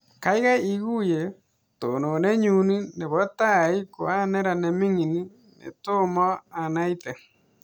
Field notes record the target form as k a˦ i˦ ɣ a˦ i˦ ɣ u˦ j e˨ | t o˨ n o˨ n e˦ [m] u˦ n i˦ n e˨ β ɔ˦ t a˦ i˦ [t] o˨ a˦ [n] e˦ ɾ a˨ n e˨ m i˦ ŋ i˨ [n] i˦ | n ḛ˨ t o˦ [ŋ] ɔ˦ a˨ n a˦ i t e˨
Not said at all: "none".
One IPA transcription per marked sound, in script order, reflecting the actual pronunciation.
ɲ, k, n, n, m

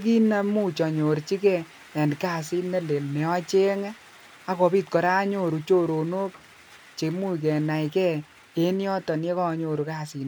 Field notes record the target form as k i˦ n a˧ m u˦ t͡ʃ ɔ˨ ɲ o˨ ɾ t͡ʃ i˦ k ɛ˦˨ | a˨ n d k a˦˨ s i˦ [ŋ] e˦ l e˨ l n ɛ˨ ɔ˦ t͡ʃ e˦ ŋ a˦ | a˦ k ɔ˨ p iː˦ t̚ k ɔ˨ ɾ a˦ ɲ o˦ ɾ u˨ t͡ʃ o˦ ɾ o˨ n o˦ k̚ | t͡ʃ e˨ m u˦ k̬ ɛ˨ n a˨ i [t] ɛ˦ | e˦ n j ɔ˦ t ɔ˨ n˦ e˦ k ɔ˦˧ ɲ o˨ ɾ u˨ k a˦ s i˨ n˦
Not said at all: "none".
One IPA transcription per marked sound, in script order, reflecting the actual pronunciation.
n, k

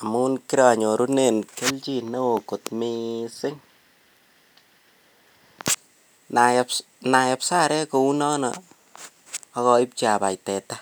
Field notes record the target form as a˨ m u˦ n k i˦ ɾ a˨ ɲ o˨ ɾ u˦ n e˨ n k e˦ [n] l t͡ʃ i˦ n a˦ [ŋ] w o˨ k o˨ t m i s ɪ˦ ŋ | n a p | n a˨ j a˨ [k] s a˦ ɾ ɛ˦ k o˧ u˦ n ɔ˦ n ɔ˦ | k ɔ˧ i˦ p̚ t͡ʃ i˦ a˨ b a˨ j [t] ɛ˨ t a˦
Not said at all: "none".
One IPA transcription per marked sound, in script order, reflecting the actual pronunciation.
none, none, p, t

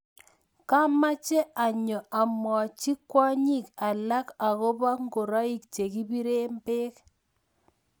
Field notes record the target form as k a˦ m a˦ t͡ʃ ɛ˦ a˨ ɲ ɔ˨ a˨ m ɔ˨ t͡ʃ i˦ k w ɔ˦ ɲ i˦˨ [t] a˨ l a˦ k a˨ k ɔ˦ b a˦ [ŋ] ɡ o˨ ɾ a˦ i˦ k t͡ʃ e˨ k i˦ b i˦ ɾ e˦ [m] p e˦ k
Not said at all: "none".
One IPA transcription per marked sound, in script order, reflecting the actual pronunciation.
k, ŋ, m

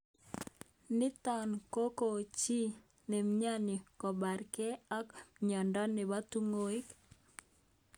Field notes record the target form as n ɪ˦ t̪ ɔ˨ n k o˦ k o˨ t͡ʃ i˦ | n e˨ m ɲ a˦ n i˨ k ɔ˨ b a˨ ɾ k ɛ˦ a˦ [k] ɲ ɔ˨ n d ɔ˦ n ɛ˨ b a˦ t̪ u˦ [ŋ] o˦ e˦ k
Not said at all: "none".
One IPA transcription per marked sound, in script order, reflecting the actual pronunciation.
k, ŋ

